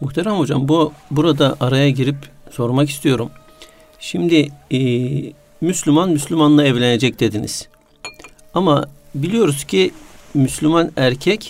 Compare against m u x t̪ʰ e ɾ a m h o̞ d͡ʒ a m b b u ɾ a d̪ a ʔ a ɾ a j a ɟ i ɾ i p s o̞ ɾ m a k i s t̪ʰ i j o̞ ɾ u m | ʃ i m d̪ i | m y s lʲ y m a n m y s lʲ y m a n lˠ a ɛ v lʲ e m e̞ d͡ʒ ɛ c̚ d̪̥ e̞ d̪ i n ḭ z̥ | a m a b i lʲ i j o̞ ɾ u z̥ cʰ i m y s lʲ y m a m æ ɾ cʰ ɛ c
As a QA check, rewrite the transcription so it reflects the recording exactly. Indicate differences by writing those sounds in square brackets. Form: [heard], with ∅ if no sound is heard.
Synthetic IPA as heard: m u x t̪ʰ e ɾ a m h o̞ d͡ʒ a m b b u ɾ a d̪ a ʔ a ɾ a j a ɟ i ɾ i p s o̞ ɾ m a k i s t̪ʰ i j o̞ ɾ u m | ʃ i m d̪ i | m y s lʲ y m a n m y s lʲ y m a n lˠ a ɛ v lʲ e [n] e̞ d͡ʒ ɛ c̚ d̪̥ e̞ d̪ i n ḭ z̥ | a m a b i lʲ i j o̞ ɾ u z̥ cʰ i m y s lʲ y m a [n] æ ɾ cʰ ɛ c